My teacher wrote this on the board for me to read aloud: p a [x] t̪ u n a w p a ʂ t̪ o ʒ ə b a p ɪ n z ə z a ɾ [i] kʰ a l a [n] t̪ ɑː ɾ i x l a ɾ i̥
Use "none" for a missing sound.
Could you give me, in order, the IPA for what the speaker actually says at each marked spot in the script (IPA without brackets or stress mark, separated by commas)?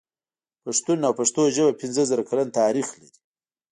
ʂ, a, n